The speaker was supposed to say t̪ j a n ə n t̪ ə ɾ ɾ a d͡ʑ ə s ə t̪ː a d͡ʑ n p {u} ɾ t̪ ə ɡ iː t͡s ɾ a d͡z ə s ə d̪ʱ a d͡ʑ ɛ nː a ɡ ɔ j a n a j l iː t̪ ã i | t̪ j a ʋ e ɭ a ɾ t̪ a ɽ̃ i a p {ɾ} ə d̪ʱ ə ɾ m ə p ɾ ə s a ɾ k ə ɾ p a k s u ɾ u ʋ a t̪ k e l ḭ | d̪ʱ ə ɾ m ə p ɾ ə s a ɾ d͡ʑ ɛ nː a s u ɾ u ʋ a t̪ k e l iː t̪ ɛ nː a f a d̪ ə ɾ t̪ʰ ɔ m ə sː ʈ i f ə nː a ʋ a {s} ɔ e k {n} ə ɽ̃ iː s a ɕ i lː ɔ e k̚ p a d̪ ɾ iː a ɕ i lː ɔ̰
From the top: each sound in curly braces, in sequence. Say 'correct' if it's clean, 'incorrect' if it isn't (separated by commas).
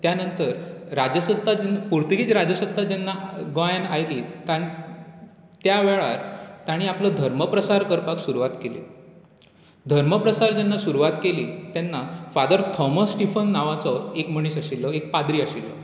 correct, incorrect, incorrect, incorrect